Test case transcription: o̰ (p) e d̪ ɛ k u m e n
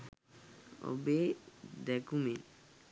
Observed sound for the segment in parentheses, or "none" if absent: b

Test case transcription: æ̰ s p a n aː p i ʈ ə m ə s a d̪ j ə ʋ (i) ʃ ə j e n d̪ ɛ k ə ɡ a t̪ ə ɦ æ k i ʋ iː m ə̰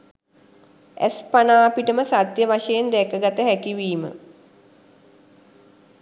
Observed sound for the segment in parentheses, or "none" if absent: a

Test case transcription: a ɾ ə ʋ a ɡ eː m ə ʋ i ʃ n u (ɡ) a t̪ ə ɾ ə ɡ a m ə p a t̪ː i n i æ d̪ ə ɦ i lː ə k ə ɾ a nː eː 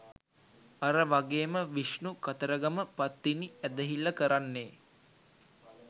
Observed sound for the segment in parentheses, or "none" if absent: k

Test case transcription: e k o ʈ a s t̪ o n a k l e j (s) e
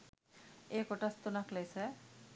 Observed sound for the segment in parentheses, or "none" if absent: s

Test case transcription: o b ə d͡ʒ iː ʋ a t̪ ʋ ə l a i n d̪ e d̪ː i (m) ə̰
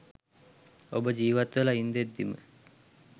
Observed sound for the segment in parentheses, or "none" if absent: m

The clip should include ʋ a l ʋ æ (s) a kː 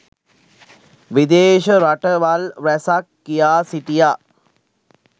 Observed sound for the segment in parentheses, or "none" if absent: s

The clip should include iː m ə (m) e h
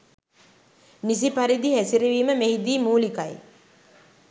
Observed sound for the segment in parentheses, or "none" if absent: m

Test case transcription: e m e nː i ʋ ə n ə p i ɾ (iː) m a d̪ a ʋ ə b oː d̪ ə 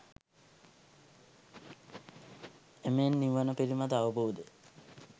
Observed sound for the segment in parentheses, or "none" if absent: i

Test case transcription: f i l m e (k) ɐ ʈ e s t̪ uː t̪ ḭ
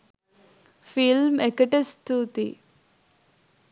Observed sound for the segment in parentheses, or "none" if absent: k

